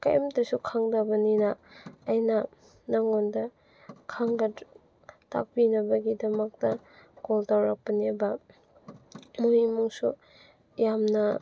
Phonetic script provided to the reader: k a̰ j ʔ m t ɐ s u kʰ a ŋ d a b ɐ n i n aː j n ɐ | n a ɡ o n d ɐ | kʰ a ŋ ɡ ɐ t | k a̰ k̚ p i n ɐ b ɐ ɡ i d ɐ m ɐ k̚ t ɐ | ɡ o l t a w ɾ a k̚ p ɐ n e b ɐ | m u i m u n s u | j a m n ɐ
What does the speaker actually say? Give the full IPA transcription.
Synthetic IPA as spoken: k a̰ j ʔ m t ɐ s u kʰ a ŋ d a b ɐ n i n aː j n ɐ | n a ŋ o n d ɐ | kʰ a ŋ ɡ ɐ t | t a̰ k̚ p i n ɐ b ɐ ɡ i d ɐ m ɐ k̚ t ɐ | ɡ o l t a w ɾ a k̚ p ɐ n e b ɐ | m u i m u ŋ s u | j a m n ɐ